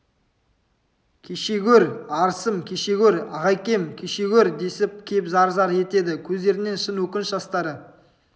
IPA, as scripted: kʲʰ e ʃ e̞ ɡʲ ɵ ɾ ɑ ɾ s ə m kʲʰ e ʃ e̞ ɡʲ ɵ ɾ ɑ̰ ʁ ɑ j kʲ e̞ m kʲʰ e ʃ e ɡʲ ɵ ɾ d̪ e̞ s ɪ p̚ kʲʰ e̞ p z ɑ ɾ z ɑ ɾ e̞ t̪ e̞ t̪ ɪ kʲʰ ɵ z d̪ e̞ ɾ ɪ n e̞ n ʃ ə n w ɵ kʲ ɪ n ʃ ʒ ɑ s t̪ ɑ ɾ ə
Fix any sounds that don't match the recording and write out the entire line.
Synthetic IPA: kʲʰ e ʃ e̞ ɡʲ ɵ ɾ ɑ ɾ s ə m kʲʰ e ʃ e̞ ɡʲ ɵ ɾ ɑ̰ ʁ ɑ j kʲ e̞ m kʲʰ e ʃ e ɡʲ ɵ ɾ d̪ e̞ s ɪ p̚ kʲʰ e̞ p z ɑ ɾ z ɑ ɾ e̞ t̪ e̞ d̪ ɪ kʲʰ ɵ z d̪ e̞ ɾ ɪ n e̞ n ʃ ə n w ɵ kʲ ɪ n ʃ ʒ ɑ s t̪ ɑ ɾ ə